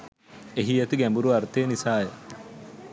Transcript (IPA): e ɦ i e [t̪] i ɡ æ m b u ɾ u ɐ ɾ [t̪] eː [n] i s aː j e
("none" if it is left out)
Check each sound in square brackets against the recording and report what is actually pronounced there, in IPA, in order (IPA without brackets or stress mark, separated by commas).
t̪, t̪, n